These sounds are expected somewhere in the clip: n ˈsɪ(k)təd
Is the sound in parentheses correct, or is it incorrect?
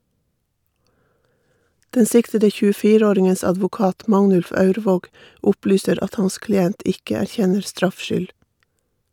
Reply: correct